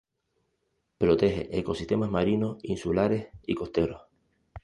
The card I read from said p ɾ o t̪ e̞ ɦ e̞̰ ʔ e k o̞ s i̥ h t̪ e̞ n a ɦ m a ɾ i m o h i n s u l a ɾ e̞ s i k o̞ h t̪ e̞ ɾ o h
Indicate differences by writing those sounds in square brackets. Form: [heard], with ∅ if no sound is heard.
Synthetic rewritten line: p ɾ o t̪ e̞ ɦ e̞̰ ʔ e k o̞ s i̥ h t̪ e̞ [m] a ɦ m a ɾ i [n] o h i n s u l a ɾ e̞ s i k o̞ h t̪ e̞ ɾ o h